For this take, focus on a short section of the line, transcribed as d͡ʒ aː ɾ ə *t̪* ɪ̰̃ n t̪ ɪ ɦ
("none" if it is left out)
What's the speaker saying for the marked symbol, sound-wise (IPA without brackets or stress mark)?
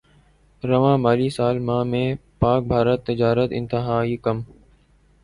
t̪